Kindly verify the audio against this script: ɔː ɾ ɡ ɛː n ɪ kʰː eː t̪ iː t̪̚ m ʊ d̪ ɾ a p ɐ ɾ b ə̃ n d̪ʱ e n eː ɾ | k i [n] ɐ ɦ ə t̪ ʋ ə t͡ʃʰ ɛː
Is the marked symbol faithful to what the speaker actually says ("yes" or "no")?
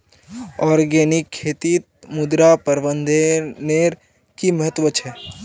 no